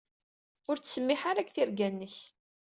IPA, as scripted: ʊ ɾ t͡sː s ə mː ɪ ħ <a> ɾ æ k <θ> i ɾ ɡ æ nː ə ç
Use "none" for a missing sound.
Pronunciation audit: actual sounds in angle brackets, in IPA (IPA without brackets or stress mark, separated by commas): a, θ